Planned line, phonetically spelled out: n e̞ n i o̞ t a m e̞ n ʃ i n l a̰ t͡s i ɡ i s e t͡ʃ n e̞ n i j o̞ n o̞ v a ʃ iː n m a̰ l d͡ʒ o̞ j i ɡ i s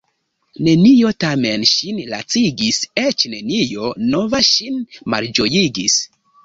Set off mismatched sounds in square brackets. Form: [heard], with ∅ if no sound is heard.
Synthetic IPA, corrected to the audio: n e̞ n i o̞ t a m e̞ n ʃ i n l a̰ t͡s i ɡ i s e t͡ʃ n e̞ n i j o̞ n o̞ v a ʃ [i] n m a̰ l d͡ʒ o̞ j i ɡ i s